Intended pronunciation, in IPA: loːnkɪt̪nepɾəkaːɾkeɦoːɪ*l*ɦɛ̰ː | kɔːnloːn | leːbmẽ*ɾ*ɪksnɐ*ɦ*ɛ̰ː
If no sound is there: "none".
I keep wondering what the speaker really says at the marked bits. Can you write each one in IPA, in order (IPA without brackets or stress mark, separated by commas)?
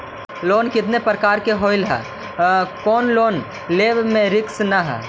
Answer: l, ɾ, ɦ